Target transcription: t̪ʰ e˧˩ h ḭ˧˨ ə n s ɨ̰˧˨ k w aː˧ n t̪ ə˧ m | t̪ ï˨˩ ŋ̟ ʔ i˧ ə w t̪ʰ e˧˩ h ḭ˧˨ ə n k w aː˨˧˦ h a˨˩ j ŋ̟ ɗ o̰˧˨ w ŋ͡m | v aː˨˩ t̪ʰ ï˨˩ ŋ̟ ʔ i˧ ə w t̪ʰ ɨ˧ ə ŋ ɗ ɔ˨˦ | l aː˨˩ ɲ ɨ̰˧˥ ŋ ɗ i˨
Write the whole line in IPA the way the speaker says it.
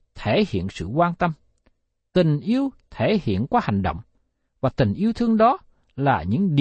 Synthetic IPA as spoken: t̪ʰ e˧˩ h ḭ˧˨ ə n s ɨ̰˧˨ k w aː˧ n t̪ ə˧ m | t̪ ï˨˩ ŋ̟ ʔ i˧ ə w t̪ʰ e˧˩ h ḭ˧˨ ə n k w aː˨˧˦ h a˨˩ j ŋ̟ ɗ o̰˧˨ w ŋ͡m | v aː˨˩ t̪ ï˨˩ ŋ̟ ʔ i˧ ə w t̪ʰ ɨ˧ ə ŋ ɗ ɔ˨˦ | l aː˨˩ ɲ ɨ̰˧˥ ŋ ɗ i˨